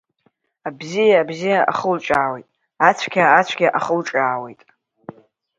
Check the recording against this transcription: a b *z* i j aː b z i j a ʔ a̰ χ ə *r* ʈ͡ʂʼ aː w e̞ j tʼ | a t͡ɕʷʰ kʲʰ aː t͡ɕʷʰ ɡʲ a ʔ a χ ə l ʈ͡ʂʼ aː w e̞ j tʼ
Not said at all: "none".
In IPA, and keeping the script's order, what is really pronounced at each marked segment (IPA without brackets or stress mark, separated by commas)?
z, l